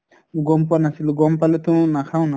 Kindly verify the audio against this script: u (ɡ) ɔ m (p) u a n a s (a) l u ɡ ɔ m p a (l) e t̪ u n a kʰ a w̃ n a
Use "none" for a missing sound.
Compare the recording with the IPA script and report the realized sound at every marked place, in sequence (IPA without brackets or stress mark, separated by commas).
ɡ, p, i, l